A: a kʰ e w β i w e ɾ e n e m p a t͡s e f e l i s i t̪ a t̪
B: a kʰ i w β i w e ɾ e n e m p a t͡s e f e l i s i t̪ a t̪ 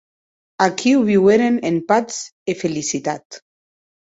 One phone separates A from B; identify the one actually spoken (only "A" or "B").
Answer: B